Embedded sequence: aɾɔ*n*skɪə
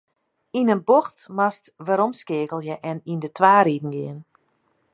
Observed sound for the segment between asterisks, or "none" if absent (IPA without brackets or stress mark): m